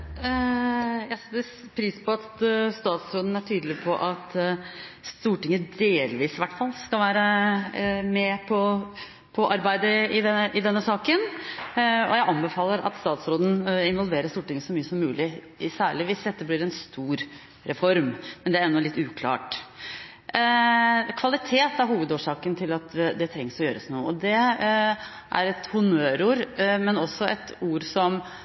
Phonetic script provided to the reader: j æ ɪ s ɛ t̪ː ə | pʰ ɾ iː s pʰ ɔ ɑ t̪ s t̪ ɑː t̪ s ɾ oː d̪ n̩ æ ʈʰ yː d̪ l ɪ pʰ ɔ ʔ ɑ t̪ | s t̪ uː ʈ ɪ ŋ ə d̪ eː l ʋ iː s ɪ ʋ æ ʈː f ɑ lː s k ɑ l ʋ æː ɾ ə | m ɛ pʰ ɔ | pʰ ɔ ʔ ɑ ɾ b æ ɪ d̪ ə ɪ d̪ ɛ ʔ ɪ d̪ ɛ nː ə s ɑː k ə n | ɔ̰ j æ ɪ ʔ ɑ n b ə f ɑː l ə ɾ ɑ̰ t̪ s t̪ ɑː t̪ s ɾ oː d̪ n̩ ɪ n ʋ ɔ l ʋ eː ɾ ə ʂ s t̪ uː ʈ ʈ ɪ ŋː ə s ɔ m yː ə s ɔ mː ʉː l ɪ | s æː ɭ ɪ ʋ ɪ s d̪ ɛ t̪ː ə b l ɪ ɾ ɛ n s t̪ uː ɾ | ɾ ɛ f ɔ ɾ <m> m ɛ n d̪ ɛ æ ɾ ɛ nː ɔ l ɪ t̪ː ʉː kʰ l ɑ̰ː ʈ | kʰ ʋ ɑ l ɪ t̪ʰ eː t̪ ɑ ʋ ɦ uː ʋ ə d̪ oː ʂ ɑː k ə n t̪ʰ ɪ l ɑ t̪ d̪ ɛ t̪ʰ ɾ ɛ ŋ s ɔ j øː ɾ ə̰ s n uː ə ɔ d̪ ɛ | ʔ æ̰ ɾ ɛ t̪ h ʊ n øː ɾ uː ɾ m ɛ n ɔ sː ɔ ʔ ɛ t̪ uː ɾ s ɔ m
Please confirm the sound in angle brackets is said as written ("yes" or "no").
yes